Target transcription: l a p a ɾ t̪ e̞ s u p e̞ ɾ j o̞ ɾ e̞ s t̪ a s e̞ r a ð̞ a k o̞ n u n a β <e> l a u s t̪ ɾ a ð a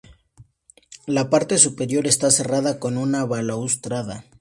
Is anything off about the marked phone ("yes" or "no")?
yes